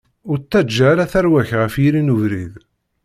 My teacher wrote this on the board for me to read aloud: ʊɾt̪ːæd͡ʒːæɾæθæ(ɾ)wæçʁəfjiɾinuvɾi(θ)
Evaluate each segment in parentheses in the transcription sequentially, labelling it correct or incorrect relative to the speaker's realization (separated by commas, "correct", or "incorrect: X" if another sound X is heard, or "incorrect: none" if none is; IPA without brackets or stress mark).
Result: correct, incorrect: ð